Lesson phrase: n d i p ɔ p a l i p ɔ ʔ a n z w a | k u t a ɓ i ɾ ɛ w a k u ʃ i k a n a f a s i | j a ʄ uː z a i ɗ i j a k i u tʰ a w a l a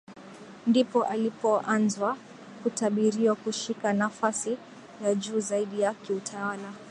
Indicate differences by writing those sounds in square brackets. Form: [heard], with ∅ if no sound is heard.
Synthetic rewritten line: n d i p ɔ [ʔ] a l i p ɔ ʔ a n z w a | k u t a ɓ i ɾ [i] w a k u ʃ i k a n a f a s i | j a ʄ uː z a i ɗ i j a k i u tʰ a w a l a